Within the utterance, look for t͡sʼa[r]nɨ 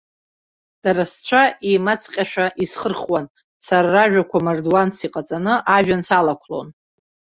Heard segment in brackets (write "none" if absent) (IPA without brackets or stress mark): none